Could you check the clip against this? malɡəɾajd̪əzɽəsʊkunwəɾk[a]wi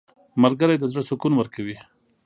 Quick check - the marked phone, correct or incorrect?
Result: correct